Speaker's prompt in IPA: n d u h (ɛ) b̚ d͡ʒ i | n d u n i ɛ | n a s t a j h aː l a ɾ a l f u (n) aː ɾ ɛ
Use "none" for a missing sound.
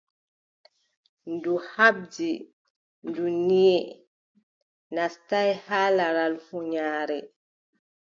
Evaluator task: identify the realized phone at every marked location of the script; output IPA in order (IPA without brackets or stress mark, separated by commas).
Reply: a, ɲ